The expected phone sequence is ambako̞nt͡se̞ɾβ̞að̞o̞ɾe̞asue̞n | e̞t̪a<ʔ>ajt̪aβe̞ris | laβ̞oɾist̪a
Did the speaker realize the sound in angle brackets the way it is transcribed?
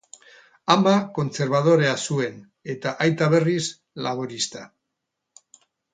yes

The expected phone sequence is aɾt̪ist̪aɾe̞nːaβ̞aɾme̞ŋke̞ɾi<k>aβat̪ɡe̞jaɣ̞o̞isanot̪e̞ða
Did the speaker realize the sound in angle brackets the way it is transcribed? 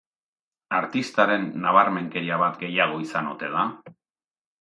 no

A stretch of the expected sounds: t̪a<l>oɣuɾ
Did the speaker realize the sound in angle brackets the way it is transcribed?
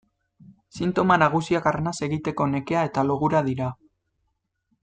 yes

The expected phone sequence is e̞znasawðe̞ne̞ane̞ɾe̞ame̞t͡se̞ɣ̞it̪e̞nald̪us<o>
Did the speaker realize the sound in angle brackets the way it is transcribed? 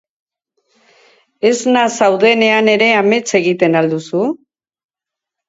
no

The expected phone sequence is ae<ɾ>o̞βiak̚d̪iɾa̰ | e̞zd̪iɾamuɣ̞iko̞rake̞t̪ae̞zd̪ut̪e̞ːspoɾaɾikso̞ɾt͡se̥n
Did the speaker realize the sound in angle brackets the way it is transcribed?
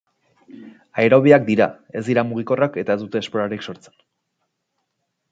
yes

